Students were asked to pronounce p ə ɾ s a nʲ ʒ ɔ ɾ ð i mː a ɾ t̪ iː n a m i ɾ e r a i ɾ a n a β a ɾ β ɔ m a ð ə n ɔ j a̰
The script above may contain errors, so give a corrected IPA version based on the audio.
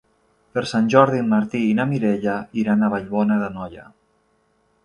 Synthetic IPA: p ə ɾ s a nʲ ʒ ɔ ɾ ð i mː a ɾ t̪ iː n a m i ɾ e ʎ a i ɾ a n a β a ʎ β ɔ n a ð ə n ɔ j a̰